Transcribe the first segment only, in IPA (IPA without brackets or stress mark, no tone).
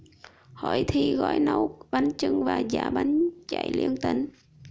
h